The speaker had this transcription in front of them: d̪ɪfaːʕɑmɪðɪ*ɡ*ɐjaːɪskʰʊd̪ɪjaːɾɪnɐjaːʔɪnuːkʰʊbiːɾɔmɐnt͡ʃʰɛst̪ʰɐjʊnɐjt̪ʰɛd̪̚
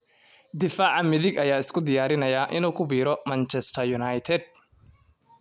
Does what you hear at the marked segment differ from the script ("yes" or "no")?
no